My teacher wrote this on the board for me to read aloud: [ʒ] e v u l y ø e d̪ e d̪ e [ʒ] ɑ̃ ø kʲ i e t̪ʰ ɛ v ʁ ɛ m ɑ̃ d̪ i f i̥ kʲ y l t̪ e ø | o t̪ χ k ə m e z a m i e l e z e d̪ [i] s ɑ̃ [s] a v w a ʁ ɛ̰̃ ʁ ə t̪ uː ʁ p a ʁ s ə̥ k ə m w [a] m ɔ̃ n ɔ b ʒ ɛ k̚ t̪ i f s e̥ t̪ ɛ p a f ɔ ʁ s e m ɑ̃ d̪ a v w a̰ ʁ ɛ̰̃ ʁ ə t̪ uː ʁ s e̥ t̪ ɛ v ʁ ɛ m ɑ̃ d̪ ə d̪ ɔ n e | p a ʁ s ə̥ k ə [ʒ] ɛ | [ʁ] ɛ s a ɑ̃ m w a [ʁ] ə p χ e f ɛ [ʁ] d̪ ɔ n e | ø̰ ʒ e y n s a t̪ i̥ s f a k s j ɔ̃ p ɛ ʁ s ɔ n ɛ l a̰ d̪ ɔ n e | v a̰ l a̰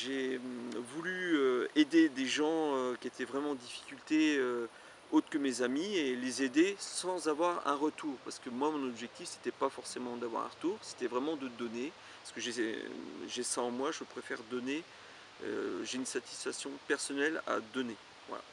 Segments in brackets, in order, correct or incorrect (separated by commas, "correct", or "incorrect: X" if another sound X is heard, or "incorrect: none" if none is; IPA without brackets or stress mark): correct, correct, incorrect: e, incorrect: z, correct, correct, incorrect: ʒ, incorrect: ʒ, correct